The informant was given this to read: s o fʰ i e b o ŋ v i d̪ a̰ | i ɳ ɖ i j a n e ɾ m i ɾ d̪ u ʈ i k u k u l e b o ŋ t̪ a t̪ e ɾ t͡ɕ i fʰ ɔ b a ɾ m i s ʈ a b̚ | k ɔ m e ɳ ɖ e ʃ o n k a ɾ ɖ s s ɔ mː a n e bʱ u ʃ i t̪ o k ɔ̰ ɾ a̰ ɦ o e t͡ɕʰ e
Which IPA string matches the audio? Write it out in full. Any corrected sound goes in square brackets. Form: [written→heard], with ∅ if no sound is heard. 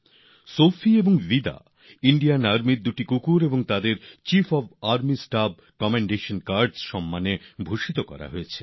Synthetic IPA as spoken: s o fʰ i e b o ŋ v i d̪ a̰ | i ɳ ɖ i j a n [e→a] ɾ m i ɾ d̪ u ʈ i k u k u [l→ɾ] e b o ŋ t̪ a [t̪→d̪] e ɾ t͡ɕ i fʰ ɔ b a ɾ m i s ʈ a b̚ | k ɔ m e ɳ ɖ e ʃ o n k a ɾ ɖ s [s→ʃ] ɔ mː a n e bʱ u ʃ i t̪ o k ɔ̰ ɾ a̰ ɦ o e t͡ɕʰ e